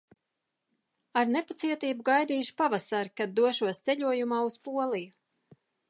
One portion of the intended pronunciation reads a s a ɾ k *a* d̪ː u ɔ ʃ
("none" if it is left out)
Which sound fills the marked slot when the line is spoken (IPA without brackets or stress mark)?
a